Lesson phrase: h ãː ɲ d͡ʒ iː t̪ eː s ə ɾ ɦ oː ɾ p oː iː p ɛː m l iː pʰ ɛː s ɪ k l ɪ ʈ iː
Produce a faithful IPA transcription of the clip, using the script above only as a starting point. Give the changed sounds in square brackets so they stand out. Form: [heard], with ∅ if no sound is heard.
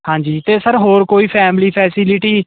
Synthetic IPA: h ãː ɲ d͡ʒ iː t̪ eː s ə ɾ ɦ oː ɾ [k] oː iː [pʰ] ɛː m l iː pʰ ɛː s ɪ [∅] l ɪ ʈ iː